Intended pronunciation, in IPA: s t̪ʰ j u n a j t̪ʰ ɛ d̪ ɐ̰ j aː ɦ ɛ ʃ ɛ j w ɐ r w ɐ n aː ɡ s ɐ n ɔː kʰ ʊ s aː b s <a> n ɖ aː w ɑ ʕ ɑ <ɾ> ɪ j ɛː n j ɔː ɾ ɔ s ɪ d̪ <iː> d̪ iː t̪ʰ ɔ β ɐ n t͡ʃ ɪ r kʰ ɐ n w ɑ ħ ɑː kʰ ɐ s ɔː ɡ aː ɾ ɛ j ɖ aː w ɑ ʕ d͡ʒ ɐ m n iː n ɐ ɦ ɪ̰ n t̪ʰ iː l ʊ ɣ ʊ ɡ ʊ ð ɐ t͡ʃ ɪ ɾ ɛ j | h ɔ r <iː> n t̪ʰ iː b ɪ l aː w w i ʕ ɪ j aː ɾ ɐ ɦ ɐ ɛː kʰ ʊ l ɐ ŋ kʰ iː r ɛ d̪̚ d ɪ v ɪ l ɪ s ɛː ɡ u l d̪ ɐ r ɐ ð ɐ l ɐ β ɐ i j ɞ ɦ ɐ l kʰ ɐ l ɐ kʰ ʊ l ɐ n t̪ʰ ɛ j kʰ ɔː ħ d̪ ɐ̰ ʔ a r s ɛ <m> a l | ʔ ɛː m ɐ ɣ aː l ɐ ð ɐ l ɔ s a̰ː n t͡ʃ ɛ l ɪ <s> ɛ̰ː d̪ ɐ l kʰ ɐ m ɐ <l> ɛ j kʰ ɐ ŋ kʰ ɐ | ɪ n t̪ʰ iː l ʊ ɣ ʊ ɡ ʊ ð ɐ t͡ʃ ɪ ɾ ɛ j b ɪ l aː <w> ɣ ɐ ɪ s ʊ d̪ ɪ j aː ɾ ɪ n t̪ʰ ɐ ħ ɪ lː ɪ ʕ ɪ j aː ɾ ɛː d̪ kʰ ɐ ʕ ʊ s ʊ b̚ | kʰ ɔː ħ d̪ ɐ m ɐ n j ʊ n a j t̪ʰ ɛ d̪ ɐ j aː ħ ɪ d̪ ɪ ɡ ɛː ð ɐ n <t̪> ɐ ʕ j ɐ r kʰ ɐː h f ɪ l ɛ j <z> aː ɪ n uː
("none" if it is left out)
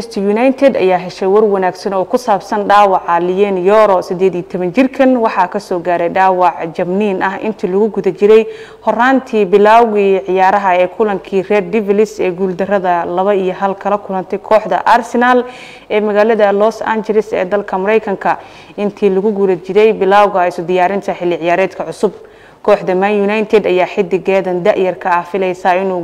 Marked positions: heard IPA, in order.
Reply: ɐ, l, ɛː, aː, n, s, ɾ, w, d̪, s

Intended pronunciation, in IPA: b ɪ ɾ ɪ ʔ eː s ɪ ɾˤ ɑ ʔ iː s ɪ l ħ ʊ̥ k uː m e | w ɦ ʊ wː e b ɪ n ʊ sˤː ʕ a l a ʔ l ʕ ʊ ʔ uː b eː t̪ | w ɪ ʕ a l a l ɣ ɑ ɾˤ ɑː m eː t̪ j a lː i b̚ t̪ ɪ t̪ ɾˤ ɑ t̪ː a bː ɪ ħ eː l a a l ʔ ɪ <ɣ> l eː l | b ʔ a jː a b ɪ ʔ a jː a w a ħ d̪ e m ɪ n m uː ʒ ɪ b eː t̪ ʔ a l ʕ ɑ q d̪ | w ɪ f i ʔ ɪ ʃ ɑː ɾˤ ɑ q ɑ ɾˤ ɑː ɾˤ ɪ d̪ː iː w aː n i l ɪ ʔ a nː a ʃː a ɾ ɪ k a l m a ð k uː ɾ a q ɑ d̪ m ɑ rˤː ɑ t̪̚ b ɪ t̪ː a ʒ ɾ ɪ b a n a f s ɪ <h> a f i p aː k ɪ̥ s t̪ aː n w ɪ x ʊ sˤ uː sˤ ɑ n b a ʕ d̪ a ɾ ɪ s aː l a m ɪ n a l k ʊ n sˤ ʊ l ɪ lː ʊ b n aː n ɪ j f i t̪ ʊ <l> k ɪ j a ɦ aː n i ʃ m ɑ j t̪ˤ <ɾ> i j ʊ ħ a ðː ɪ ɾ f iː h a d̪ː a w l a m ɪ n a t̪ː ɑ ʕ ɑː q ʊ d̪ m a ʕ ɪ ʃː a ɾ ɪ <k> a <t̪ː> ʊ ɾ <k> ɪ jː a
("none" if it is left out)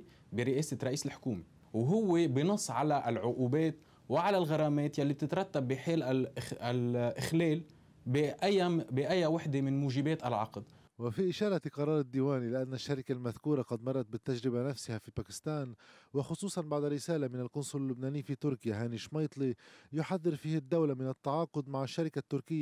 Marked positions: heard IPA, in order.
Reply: x, h, ɾ, l, k, t̪ː, k

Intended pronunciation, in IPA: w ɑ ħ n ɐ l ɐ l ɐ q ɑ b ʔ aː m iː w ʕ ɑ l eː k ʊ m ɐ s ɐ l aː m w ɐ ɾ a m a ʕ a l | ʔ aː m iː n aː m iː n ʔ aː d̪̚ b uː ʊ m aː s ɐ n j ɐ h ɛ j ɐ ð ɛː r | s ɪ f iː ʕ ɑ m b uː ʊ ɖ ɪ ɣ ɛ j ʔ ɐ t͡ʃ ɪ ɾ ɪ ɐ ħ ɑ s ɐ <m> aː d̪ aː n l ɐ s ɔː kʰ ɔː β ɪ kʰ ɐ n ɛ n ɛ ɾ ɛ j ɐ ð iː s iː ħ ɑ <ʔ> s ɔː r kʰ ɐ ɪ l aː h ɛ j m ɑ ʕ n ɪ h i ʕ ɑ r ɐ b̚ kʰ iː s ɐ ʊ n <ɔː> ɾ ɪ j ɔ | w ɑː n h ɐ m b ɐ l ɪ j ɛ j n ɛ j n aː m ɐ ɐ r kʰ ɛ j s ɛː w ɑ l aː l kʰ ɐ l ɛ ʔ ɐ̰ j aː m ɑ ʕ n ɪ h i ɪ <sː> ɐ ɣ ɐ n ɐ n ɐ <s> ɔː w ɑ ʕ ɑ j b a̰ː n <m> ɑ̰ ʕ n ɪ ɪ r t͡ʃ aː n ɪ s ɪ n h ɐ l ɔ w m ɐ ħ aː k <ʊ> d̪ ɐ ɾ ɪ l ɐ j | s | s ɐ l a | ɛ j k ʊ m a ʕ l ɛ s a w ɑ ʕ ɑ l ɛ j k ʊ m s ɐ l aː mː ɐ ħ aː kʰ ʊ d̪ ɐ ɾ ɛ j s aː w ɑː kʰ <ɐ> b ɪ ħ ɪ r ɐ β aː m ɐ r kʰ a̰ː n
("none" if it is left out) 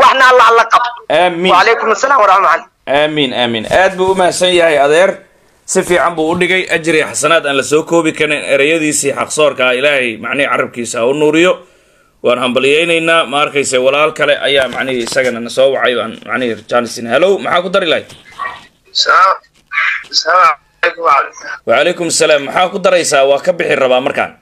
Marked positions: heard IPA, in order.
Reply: n, q, uː, s, s, m, ʊ, ɐ

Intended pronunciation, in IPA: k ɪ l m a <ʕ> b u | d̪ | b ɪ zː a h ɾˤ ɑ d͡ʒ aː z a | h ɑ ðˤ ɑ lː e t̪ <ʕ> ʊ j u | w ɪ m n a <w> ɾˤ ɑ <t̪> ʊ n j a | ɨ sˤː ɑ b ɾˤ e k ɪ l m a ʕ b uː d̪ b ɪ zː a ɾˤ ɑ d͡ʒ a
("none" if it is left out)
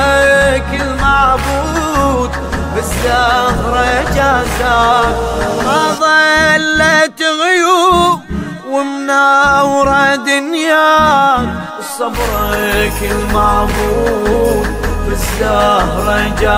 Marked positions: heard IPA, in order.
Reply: ʕ, ɣ, w, d̪

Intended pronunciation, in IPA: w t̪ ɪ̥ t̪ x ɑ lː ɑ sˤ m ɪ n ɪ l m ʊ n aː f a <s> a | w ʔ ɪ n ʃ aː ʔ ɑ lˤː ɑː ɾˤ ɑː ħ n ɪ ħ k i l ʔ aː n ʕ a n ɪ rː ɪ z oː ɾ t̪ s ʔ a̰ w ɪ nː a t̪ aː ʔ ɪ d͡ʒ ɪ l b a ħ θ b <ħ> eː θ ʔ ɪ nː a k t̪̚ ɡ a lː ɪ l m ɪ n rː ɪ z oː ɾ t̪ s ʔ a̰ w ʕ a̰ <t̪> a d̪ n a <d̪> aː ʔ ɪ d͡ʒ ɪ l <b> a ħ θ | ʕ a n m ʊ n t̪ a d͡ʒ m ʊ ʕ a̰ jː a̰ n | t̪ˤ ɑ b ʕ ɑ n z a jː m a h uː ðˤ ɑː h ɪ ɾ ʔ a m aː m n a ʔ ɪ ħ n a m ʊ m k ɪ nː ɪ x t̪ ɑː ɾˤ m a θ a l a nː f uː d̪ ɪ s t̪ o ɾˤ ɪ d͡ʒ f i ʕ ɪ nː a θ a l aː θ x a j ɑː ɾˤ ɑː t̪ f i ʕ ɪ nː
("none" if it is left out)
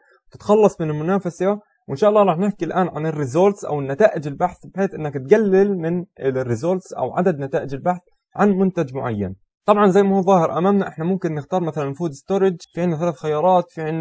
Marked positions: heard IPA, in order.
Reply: s, ħ, d̪, t̪, b

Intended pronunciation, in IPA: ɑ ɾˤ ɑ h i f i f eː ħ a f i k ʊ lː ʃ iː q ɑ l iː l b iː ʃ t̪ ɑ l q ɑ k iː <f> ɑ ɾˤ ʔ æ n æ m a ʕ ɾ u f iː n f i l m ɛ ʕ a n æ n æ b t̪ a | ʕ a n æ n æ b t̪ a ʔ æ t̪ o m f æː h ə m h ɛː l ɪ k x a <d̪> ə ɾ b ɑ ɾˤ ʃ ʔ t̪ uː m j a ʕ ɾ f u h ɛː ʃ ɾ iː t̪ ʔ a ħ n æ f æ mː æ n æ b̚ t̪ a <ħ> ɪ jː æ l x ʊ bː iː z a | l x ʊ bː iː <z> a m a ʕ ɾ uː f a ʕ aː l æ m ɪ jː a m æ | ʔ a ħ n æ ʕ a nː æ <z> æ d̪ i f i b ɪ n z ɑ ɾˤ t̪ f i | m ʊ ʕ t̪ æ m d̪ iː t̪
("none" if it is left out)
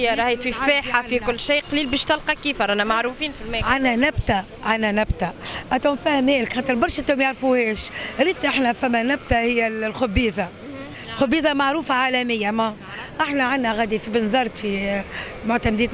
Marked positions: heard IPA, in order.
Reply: f, t̪, h, z, ɣ

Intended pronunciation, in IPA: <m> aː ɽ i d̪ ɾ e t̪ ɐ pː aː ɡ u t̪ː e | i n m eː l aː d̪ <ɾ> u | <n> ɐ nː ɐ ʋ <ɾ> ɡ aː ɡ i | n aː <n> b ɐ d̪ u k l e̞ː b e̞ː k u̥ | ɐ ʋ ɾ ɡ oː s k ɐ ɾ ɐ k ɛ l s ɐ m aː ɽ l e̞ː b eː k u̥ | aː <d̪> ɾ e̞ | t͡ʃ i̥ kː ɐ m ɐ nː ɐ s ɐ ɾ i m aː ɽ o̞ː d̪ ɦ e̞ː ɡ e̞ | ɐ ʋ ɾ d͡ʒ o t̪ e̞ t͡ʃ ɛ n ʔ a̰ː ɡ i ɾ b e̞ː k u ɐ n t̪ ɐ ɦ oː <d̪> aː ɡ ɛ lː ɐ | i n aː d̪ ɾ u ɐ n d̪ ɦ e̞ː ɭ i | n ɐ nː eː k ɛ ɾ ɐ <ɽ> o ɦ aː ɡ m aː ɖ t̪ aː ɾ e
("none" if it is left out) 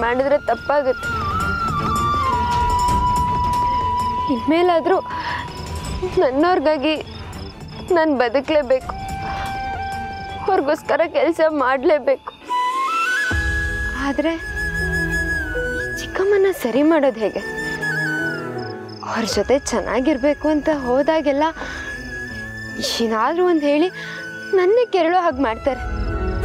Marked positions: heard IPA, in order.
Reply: m, ɾ, n, ɾ, n, d̪, d̪, ɭ

